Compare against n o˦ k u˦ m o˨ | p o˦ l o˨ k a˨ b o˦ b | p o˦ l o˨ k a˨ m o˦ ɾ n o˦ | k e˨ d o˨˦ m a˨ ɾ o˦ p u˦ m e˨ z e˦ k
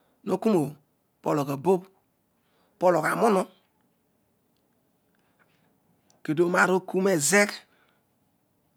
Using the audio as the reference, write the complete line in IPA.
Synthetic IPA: n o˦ k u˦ m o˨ | p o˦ l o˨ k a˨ b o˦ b | p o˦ l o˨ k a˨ m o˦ n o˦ | k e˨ d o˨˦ m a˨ ɾ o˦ k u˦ m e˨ z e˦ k

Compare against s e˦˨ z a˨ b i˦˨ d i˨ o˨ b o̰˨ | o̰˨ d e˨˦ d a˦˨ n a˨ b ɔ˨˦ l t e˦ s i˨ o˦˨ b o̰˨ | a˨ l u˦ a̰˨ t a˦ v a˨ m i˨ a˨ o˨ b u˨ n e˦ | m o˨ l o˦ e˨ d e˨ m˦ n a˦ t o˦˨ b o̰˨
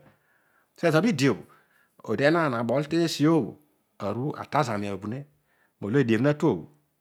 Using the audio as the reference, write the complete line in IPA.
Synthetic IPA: s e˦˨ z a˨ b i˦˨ d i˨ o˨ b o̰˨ | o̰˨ d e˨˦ n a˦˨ n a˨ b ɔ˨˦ l t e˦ s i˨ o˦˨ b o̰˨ | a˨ ɾ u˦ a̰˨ t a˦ z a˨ m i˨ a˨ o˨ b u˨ n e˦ | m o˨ l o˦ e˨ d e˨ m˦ n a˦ t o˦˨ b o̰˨

